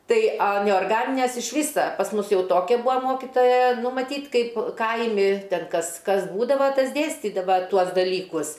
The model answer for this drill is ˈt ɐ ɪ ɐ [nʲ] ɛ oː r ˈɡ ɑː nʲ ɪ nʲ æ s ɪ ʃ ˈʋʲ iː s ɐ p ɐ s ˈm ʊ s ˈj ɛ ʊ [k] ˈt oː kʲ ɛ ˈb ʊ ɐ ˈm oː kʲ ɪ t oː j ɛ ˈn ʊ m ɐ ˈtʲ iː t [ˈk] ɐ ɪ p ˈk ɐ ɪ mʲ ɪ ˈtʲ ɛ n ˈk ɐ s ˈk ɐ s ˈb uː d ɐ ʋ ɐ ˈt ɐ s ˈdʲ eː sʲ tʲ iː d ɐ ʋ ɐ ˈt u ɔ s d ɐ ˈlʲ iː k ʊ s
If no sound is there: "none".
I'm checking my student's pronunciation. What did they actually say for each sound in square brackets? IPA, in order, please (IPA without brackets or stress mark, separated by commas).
nʲ, none, k